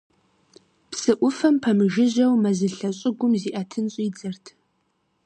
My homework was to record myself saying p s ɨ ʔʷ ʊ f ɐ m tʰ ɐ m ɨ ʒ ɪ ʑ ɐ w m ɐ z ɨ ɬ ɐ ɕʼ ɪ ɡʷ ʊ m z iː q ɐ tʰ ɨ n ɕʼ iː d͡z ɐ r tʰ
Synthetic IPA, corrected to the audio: p s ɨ ʔʷ ʊ f ɐ m pʰ ɐ m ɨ ʒ ɪ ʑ ɐ w m ɐ z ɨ ɬ ɐ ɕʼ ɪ ɡʷ ʊ m z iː ʔ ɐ tʰ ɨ n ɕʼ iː d͡z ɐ r tʰ

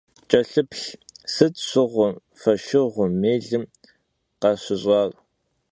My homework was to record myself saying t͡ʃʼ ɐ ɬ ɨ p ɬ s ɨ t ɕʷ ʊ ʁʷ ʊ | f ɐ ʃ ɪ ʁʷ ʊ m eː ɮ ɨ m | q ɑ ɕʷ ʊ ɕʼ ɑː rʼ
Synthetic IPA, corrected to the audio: t͡ʃʼ ɐ ɬ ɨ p ɬ s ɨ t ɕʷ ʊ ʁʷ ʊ | f ɐ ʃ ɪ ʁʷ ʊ m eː ɮ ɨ m | q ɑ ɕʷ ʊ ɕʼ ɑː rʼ

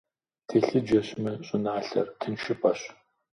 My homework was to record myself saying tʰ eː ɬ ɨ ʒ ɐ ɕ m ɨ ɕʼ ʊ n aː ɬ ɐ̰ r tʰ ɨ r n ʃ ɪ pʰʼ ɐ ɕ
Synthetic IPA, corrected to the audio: tʰ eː ɬ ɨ d͡ʒ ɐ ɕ m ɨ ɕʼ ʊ n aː ɬ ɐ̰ r tʰ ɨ n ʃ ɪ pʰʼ ɐ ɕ

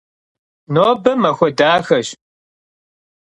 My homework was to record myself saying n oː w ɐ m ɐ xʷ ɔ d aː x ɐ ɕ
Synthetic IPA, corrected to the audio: n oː b ɐ m ɐ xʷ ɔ d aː x ɐ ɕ

